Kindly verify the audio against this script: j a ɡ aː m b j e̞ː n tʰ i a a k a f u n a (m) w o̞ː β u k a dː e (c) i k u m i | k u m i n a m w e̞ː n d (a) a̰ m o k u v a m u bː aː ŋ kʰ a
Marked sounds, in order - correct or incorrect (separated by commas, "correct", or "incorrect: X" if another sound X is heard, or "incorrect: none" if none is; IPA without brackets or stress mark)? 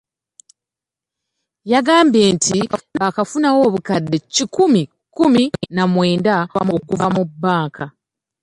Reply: incorrect: none, correct, correct